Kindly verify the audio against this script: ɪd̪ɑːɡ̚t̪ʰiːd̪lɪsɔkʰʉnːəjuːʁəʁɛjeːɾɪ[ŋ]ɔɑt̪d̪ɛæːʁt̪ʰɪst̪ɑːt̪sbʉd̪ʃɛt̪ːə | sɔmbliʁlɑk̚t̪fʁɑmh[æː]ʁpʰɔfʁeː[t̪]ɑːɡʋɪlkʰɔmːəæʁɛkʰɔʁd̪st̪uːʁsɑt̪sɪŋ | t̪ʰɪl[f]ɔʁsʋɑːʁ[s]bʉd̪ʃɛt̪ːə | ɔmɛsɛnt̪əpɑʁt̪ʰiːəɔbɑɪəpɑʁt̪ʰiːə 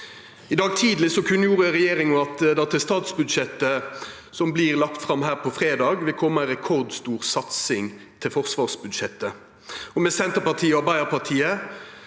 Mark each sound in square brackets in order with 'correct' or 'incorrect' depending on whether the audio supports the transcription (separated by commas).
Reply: correct, correct, incorrect, correct, correct